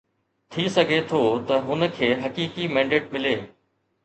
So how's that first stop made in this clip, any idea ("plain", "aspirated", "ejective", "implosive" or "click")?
aspirated